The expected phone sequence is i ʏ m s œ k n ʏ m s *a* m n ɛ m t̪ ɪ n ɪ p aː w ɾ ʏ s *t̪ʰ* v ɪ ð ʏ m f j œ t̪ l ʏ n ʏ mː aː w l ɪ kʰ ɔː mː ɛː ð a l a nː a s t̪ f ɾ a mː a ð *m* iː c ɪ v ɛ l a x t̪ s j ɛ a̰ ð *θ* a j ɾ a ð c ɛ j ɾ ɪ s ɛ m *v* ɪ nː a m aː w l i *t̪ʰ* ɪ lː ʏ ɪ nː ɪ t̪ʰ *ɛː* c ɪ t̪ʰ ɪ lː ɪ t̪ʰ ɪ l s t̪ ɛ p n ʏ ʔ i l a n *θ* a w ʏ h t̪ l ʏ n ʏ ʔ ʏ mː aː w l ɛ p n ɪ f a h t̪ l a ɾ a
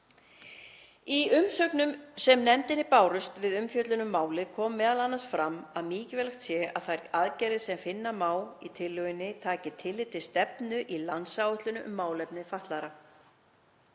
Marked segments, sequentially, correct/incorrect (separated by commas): incorrect, incorrect, correct, correct, incorrect, correct, incorrect, incorrect